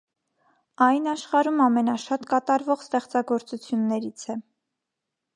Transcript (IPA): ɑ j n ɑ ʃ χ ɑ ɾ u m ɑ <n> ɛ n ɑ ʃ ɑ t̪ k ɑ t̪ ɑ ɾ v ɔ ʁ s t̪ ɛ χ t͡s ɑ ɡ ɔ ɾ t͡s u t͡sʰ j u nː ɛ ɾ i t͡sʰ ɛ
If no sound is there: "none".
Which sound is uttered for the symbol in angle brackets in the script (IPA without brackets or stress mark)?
m